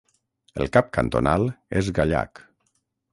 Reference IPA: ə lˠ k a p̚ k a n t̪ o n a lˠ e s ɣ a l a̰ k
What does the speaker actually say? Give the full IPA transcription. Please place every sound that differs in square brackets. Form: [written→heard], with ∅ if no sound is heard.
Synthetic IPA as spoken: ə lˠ k a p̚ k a n t̪ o n a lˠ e [s→z] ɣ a [l→ʎ] a̰ k

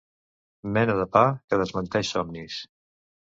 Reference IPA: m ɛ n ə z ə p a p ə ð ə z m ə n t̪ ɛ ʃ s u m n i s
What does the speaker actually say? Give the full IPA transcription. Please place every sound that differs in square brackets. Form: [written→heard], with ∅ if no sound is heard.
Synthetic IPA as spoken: m ɛ n ə [z→ð] ə p a [p→k] ə ð ə z m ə n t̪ ɛ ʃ s [u→ɔ] m n i s

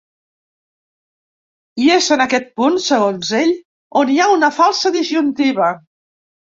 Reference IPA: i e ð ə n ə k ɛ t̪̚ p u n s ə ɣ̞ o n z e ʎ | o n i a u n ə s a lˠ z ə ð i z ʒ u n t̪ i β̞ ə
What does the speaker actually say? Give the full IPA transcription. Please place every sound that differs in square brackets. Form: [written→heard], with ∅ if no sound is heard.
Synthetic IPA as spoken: i e [ð→z] ə n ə k ɛ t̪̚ p u n s ə ɣ̞ o n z e ʎ | o n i a u n ə [s→f] a lˠ [z→s] ə ð i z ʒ u n t̪ i β̞ ə

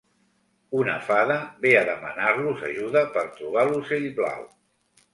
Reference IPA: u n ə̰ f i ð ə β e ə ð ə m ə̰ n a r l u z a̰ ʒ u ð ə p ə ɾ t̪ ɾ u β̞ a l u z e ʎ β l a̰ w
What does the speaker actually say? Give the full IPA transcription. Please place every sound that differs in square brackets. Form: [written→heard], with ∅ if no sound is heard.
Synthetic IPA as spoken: u n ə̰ f [i→a] ð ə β e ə ð ə m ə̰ n a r l u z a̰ ʒ u ð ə p ə ɾ t̪ ɾ u β̞ a l u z e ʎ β l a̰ w

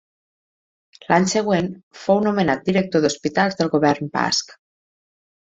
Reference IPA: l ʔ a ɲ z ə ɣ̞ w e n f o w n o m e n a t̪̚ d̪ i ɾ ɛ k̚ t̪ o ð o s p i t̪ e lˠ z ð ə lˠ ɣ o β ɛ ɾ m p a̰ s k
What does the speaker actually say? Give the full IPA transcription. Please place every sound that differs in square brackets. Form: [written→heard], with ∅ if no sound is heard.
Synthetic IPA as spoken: l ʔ a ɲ [z→s] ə ɣ̞ w e n f o w n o m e n a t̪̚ d̪ i ɾ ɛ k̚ t̪ o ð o s p i t̪ [e→a] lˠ z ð ə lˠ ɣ o β ɛ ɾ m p a̰ s k

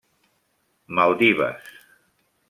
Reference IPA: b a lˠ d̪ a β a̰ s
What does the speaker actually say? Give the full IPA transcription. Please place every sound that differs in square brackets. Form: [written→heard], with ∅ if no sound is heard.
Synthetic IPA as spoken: [b→m] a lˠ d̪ [a→i] β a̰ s

